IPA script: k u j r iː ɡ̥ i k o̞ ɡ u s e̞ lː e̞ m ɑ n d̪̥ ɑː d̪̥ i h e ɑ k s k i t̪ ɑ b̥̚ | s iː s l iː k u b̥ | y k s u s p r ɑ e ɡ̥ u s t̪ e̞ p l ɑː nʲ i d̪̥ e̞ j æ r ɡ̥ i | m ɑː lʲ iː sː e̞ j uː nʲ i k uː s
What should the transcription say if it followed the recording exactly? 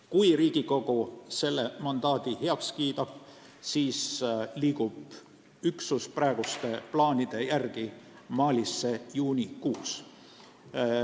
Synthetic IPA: k u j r iː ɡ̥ i k o̞ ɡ u s e̞ lː e̞ m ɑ n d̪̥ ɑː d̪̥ i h e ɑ k s k iː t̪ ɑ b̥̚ | s iː s l iː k u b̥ | y k s u s p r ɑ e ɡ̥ u s t̪ e̞ p l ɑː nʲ i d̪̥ e̞ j æ r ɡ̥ i | m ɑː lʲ i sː e̞ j uː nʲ i k uː s